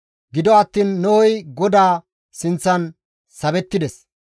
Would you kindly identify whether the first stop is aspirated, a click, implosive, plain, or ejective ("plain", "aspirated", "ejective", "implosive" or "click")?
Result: plain